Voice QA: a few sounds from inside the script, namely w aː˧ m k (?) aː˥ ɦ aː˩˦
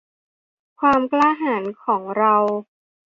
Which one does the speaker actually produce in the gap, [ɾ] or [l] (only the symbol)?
l